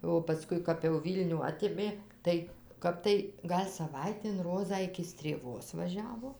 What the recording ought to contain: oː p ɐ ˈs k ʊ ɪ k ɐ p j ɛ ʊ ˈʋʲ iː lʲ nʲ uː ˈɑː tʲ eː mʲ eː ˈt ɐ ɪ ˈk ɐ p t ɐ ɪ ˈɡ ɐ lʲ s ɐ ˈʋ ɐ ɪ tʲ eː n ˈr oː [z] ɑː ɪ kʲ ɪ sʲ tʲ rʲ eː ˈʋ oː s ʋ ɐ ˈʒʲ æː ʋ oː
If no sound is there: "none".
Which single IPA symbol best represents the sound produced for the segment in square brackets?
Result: z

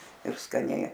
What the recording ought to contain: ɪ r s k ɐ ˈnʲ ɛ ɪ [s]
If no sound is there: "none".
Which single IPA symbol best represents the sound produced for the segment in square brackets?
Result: none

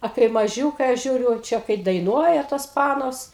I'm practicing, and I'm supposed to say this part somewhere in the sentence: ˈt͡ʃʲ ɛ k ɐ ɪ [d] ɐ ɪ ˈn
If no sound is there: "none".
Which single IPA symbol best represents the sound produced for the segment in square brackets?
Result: d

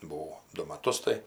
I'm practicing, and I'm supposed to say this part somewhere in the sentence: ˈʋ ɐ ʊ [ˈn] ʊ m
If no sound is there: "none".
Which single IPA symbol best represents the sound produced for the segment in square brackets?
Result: d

